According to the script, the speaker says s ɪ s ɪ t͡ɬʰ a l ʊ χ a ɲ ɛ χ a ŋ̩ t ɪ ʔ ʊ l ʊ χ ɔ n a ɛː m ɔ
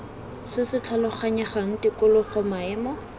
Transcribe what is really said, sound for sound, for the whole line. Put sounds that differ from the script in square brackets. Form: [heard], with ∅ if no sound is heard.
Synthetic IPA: s ɪ s ɪ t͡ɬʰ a l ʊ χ a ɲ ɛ χ a ŋ̩ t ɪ [k] ʊ l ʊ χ ɔ [m] a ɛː m ɔ